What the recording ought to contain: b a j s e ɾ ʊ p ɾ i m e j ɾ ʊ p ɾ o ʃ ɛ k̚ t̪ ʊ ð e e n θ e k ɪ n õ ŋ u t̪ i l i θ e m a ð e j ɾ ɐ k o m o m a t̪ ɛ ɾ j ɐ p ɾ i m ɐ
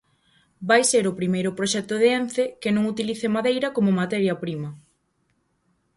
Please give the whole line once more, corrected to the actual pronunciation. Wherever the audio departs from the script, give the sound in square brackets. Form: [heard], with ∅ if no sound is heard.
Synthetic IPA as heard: b a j s e ɾ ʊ p ɾ i m e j ɾ ʊ p ɾ o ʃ ɛ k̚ t̪ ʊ ð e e n θ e k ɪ n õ ŋ u t̪ i l i θ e m a ð e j ɾ ɐ k o m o m a t̪ ɛ ɾ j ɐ p ɾ i m ɐ